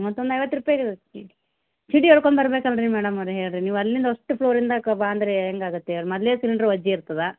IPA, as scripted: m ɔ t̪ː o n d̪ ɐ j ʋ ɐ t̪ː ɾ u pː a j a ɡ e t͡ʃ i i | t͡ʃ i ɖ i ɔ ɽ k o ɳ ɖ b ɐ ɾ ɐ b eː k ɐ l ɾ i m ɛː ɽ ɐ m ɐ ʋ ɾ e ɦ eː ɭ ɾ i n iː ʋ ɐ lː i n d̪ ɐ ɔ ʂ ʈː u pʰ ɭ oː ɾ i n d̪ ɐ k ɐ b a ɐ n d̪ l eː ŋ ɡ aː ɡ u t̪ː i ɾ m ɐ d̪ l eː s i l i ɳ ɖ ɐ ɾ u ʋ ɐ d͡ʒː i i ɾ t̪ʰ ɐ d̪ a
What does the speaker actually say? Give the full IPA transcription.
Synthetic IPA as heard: m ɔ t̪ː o n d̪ ɐ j ʋ ɐ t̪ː ɾ u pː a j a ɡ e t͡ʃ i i | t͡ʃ i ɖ i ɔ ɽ k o ɳ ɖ b ɐ ɾ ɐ b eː k ɐ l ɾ i m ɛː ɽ ɐ m ɐ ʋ ɾ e ɦ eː ɭ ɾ i n iː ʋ ɐ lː i n d̪ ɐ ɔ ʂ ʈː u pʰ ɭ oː ɾ i n d̪ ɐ k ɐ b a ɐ n d̪ ɾ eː ŋ ɡ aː ɡ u t̪ː e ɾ m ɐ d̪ l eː s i l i ɳ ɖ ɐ ɾ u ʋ ɐ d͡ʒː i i ɾ t̪ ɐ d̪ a